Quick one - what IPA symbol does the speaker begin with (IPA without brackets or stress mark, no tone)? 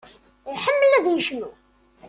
ħ